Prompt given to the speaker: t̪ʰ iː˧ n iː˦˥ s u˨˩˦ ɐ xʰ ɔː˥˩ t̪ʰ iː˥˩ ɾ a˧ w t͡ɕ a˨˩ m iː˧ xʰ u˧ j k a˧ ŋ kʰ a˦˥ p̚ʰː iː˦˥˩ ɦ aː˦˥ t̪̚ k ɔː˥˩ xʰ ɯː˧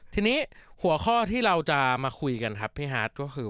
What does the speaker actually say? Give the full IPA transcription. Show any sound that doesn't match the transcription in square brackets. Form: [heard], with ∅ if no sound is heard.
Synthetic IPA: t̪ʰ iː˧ n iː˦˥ [h] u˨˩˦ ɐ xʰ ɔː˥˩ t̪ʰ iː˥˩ ɾ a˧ w t͡ɕ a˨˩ m [aː˧] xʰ u˧ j k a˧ [n] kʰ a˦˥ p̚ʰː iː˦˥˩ ɦ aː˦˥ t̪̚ k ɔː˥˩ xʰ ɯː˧